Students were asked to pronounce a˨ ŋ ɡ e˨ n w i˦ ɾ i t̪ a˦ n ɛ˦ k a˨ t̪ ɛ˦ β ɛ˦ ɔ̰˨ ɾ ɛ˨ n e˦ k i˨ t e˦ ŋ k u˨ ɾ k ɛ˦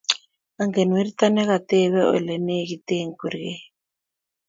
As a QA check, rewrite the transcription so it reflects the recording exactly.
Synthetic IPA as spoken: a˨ ŋ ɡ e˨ n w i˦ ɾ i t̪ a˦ n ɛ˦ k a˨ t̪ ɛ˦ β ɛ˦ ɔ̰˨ l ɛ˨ n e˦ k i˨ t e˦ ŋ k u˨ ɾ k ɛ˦